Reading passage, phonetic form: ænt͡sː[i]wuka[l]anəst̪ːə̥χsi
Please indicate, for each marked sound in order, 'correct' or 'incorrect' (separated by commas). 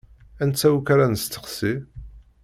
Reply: incorrect, incorrect